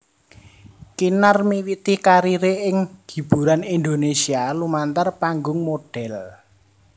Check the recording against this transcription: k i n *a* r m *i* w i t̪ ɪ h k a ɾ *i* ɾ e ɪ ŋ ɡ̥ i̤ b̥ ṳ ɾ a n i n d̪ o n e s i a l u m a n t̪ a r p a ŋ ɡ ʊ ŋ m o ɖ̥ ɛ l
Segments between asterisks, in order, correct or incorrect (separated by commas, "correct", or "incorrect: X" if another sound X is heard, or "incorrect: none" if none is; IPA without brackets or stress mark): correct, correct, correct